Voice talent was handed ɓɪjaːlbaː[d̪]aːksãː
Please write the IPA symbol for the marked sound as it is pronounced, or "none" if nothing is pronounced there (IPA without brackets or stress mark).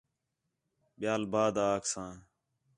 d̪